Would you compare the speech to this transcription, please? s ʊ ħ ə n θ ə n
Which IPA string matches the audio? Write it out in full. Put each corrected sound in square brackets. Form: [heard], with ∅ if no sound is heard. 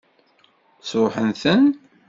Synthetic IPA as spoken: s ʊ ħ ə n θ ə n